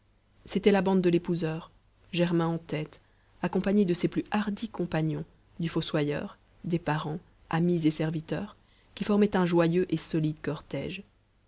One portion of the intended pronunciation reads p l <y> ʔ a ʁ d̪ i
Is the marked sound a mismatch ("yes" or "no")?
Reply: no